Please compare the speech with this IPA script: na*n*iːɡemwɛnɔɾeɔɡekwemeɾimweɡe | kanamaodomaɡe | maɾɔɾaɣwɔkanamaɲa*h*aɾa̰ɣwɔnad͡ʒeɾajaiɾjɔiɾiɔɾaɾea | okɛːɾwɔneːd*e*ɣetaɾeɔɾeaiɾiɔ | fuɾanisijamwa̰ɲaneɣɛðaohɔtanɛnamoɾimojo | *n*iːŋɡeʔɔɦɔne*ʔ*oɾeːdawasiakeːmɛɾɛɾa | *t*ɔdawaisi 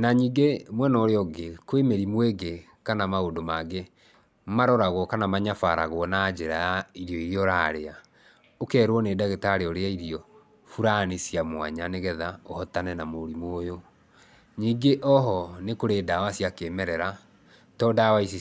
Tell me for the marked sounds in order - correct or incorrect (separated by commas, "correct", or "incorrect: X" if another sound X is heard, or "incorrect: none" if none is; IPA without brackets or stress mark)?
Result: incorrect: ɲ, incorrect: f, incorrect: a, incorrect: ɲ, incorrect: k, correct